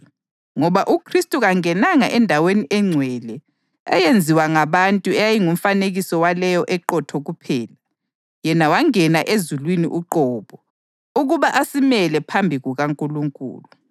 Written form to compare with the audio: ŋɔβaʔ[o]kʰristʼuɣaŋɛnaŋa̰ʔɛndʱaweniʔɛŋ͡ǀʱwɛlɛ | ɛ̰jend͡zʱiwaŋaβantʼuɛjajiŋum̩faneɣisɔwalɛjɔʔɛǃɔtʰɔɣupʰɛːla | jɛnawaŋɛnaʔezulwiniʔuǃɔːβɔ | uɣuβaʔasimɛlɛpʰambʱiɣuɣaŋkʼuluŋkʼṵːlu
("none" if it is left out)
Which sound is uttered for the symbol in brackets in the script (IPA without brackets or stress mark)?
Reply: u